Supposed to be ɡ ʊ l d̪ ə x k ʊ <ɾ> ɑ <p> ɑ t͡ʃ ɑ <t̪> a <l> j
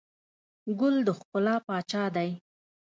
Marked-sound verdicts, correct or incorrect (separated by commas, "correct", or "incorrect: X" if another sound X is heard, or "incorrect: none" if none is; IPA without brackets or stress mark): incorrect: l, correct, incorrect: d̪, incorrect: none